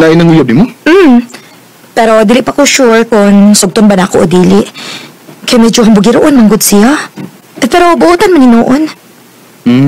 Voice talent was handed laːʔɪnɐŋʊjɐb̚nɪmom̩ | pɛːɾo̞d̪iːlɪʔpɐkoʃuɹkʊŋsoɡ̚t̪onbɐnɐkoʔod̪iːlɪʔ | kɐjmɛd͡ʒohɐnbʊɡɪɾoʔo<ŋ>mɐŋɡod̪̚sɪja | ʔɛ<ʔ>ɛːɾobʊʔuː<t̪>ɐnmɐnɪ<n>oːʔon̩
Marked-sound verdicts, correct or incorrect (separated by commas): incorrect, incorrect, correct, correct